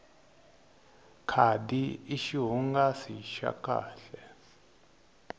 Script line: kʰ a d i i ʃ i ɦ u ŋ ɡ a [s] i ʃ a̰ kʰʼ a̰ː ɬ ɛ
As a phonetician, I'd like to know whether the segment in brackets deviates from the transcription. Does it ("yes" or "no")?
no